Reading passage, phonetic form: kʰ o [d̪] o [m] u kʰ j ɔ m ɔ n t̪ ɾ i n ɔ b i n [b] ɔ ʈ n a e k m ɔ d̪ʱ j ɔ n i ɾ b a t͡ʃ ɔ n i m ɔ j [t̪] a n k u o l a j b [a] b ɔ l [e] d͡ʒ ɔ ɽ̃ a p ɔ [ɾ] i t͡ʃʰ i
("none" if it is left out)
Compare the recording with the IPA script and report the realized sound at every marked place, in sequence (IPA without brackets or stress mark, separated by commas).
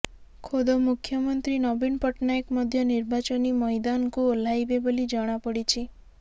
d̪, m, p, d̪, e, i, ɽ